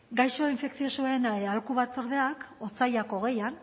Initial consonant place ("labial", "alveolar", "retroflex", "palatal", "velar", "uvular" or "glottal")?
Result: velar